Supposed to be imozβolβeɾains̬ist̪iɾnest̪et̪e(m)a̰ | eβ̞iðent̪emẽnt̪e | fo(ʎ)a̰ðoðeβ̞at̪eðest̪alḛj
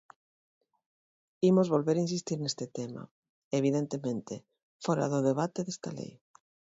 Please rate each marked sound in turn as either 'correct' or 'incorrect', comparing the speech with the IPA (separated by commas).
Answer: correct, incorrect